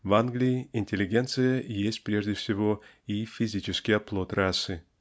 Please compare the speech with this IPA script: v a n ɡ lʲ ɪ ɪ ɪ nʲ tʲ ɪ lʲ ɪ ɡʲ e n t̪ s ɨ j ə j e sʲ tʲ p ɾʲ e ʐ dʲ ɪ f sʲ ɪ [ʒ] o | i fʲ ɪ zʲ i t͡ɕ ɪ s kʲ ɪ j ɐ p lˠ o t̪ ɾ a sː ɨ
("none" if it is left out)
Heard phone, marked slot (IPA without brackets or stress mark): v